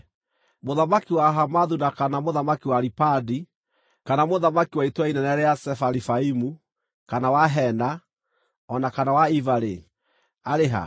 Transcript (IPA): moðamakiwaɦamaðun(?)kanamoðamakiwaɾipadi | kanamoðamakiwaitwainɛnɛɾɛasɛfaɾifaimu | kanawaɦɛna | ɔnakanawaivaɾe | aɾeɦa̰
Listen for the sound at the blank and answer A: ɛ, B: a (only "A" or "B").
B